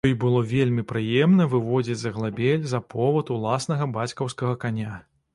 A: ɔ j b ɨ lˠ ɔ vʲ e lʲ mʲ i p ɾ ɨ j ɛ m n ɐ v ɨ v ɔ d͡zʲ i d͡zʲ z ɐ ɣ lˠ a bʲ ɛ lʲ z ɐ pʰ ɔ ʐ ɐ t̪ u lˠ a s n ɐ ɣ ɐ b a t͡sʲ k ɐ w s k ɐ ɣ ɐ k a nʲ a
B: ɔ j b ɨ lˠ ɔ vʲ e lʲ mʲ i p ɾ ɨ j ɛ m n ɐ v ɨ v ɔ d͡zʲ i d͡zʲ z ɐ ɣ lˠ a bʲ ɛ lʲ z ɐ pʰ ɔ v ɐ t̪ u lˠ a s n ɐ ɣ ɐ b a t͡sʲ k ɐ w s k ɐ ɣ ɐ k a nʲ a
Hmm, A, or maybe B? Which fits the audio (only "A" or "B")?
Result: B